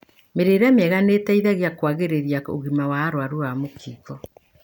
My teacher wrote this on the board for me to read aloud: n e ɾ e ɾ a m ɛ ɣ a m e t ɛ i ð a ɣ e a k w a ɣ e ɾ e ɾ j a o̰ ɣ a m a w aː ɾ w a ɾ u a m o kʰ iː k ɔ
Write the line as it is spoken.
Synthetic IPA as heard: m e ɾ e ɾ a m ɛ ɣ a n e t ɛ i ð a ɣ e a k w a ɣ e ɾ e ɾ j a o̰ ɣ i m a w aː ɾ w a ɾ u a m o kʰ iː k ɔ